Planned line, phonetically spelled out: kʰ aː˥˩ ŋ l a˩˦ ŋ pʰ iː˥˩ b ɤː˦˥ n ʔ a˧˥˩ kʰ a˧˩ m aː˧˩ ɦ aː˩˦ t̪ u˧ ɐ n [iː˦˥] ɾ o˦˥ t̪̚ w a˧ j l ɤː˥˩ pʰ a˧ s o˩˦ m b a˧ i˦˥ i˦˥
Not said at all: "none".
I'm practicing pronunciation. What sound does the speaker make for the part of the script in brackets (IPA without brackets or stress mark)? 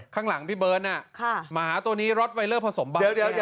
iː˦˥